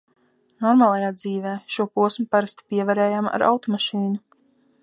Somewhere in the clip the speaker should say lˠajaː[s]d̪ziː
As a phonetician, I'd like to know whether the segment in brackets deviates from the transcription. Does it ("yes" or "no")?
yes